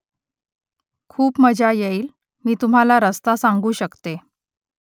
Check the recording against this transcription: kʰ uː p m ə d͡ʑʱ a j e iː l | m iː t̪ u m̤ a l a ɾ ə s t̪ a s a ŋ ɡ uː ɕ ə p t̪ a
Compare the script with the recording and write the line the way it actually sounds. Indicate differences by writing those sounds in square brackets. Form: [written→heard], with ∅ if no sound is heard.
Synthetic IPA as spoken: kʰ uː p m ə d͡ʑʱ a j e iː l | m iː t̪ u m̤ a l a ɾ ə s t̪ a s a ŋ ɡ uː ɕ ə [p→k] t̪ [a→e]